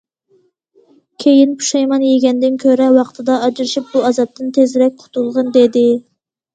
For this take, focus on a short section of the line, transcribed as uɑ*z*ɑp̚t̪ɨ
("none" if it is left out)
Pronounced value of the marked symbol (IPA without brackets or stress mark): z